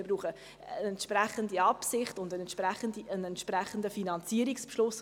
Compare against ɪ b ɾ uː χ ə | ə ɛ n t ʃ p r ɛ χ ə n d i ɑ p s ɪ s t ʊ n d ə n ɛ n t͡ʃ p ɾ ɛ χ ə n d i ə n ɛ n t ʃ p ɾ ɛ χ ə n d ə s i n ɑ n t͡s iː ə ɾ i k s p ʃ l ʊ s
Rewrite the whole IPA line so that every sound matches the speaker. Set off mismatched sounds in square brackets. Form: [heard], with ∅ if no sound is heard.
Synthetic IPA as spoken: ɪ b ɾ uː χ ə | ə ɛ n t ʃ p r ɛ χ ə n d i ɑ p s ɪ [χ] t ʊ n d ə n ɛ n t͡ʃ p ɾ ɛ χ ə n d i ə n ɛ n t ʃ p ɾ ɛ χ ə n d ə [f] i n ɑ n t͡s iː ə ɾ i k s p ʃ l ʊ s